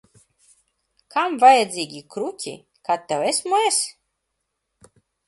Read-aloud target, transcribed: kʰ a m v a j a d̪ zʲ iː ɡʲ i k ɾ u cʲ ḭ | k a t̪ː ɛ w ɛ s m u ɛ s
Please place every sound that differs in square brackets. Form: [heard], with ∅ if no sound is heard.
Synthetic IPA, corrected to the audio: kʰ a m v a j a d̪ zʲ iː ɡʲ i k ɾ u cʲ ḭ | k a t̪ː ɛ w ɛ s m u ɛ s